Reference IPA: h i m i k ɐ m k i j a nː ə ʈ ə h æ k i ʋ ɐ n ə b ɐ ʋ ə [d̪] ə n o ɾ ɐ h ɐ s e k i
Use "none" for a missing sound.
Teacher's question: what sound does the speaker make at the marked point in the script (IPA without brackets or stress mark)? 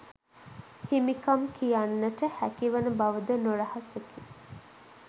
d̪